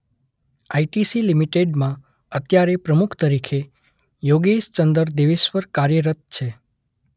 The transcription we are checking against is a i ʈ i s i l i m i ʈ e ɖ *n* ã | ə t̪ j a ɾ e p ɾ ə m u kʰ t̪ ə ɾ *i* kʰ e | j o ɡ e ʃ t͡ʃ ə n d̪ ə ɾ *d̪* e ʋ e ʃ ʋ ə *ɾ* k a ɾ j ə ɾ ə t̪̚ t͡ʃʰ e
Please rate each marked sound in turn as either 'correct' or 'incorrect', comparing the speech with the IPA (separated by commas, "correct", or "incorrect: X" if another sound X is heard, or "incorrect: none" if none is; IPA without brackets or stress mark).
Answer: incorrect: m, correct, correct, correct